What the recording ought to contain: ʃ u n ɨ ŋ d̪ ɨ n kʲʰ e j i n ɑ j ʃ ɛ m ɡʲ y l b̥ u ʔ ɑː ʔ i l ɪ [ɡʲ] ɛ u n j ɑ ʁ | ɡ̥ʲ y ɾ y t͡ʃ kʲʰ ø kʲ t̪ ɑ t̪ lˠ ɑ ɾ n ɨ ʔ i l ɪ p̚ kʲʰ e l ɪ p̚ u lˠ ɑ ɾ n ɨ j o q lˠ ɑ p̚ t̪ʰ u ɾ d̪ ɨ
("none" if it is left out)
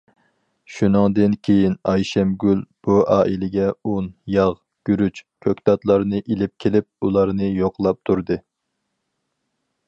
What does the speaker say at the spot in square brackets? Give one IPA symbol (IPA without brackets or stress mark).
ɡʲ